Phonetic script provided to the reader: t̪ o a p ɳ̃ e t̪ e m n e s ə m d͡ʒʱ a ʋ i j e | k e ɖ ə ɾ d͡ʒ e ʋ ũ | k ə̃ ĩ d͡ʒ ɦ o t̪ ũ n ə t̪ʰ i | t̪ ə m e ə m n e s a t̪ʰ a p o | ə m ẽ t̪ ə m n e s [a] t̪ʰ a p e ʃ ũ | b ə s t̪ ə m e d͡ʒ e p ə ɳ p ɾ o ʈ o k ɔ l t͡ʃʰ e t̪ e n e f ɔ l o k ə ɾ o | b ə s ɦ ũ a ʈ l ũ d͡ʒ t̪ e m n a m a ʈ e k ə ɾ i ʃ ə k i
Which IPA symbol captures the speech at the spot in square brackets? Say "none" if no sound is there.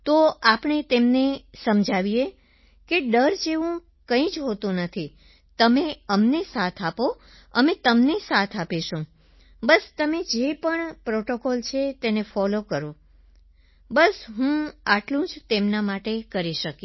a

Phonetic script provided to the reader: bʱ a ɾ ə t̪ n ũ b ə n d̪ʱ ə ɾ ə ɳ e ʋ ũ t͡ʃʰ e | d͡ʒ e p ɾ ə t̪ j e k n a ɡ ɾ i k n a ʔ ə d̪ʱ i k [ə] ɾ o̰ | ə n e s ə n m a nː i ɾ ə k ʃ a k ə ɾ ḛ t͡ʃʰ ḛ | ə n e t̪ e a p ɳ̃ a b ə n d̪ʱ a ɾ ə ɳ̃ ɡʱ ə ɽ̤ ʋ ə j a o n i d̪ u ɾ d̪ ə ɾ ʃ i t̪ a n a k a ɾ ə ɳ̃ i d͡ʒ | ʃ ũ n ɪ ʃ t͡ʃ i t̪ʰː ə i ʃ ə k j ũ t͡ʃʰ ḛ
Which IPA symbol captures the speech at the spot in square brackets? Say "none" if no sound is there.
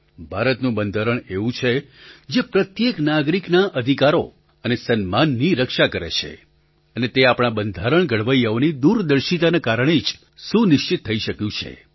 a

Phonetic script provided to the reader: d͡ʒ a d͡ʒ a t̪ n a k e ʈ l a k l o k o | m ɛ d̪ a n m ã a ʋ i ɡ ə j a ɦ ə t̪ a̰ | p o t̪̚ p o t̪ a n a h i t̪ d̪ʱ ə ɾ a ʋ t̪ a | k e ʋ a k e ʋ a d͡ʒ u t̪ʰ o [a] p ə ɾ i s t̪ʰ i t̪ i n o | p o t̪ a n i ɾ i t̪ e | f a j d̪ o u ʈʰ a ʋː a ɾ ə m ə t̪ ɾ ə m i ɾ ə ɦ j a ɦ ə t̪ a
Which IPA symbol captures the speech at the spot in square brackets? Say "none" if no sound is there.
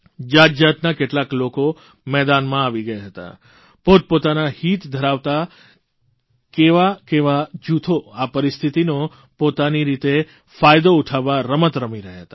a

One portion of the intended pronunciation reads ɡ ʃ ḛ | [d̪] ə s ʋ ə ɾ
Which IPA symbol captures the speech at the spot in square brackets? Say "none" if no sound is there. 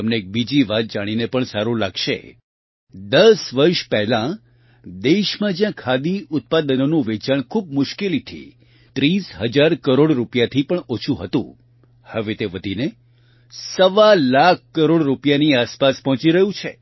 d̪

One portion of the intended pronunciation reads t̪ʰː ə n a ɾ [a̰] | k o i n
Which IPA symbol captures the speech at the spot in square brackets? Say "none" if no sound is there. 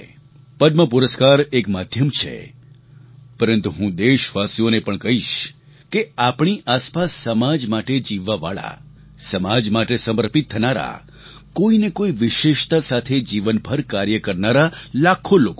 a̰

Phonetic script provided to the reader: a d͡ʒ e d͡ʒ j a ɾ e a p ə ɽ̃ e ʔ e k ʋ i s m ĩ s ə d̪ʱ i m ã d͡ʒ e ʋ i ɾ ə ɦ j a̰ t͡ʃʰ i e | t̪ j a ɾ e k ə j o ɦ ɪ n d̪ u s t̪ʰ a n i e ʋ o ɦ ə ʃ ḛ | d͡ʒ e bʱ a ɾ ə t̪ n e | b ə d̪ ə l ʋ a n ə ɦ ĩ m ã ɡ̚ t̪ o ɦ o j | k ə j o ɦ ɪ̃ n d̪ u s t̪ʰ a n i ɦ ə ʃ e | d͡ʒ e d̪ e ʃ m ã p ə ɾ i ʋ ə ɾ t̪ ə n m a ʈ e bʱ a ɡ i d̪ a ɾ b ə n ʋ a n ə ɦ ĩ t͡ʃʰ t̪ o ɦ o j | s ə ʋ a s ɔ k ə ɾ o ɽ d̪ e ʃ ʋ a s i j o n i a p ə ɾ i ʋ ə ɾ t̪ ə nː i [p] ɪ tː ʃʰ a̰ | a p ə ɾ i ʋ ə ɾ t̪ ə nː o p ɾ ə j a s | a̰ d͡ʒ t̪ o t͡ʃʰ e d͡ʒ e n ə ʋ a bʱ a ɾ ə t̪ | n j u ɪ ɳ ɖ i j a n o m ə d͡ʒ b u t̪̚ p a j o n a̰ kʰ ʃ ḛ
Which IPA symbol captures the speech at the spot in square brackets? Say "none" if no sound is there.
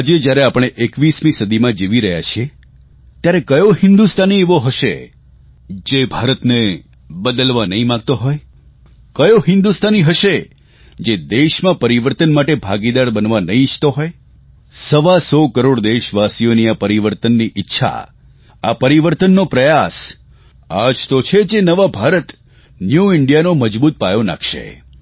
ʔ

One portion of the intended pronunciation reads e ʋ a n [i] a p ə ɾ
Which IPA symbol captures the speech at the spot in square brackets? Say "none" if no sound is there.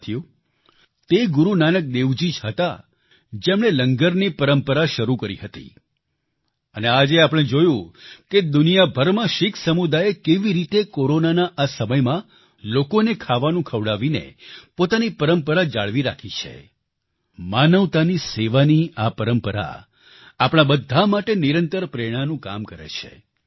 i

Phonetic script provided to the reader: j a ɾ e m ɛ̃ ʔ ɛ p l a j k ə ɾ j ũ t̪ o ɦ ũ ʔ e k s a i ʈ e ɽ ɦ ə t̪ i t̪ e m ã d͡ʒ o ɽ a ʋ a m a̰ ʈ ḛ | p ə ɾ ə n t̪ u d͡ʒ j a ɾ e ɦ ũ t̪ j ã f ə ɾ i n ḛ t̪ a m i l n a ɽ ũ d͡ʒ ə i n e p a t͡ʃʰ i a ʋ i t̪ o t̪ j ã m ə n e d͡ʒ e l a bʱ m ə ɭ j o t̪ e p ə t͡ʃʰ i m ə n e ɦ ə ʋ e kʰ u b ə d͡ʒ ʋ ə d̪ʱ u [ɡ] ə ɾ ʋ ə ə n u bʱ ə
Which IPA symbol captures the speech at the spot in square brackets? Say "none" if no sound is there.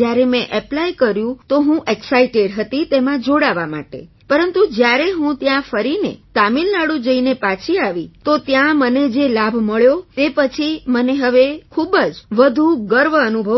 ɡ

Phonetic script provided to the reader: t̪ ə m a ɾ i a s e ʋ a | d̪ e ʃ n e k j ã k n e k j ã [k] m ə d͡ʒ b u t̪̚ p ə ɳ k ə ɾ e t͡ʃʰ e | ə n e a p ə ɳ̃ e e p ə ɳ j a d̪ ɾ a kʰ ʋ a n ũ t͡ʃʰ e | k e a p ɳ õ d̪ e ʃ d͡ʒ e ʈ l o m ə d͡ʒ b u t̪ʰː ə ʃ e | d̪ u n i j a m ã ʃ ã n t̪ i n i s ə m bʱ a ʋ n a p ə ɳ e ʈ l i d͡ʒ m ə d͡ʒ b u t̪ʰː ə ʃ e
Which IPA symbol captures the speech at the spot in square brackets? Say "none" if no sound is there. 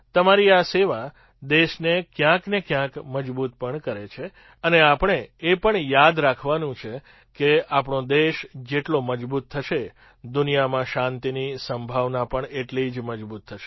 k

